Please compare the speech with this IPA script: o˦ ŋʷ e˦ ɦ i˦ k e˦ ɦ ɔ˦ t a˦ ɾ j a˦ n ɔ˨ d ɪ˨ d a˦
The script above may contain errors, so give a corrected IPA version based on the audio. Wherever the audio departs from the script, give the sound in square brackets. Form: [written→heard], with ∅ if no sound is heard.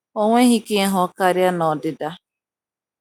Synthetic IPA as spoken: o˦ ŋʷ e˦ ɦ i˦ k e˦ ɦ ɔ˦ [t→k] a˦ ɾ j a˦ n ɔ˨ d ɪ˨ d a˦